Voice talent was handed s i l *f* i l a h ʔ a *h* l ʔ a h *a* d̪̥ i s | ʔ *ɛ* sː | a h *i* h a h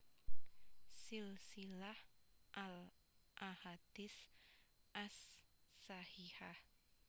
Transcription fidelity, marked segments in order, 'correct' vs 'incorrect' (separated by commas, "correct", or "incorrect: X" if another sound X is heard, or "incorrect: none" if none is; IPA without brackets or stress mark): incorrect: s, incorrect: none, correct, incorrect: a, correct